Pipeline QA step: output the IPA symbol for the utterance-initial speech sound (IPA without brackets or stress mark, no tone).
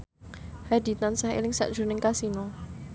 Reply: h